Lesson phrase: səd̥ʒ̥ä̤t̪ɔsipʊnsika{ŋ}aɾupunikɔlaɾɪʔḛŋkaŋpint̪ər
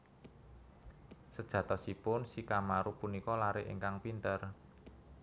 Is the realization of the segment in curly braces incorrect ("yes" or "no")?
yes